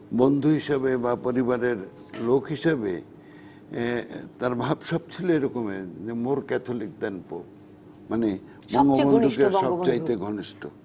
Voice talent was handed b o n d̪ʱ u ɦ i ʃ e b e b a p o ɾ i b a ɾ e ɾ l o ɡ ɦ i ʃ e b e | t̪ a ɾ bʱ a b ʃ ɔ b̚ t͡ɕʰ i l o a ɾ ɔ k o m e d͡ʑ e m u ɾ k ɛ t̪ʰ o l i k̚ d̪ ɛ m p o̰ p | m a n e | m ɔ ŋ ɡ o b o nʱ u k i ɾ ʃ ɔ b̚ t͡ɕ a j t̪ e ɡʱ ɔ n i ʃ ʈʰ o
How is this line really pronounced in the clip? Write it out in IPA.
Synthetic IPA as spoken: b o n d̪ʱ u ɦ i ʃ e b e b a p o ɾ i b a ɾ e ɾ l o k ɦ i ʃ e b e | t̪ a ɾ bʱ a b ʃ ɔ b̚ t͡ɕʰ i l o e ɾ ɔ k o m e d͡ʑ e m o ɾ k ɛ t̪ʰ o l i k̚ d̪ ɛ n p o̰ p | m a n e | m ɔ ŋ ɡ o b o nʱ u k e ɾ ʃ ɔ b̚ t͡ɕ a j t̪ e ɡʱ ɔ n i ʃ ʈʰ o